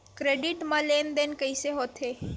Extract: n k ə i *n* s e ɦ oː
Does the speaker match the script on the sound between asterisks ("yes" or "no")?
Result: no